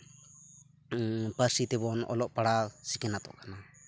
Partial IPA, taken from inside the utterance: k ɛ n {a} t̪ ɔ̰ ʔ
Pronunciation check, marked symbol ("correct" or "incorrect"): correct